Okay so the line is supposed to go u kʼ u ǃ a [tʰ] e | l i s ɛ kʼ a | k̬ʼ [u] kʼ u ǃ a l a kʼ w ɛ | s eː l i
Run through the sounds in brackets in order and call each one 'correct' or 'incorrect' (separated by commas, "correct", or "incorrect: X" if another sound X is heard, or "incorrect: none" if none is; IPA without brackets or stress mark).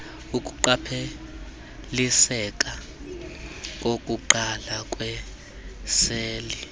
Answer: incorrect: pʰ, incorrect: o